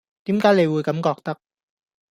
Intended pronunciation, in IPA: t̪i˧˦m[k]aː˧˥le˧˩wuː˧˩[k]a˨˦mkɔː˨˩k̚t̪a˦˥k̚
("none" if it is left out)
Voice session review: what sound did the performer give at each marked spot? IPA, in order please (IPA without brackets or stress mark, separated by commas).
k, k